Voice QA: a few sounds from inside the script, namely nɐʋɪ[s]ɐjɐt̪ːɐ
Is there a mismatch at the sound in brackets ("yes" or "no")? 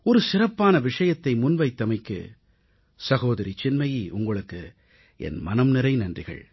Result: yes